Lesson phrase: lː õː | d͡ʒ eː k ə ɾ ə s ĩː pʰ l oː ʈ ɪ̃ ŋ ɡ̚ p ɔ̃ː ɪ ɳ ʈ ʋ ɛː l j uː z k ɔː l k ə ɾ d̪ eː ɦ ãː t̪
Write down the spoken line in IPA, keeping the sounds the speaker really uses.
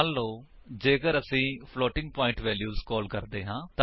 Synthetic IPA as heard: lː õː | d͡ʒ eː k ə ɾ ə s ĩː pʰ l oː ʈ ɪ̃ ŋ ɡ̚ p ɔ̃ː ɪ ɳ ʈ ʋ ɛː l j uː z k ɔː l k ə ɾ d̪ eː ɦ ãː t̪